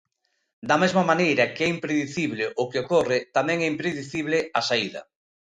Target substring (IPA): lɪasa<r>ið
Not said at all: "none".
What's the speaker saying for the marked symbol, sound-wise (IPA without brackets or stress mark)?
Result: none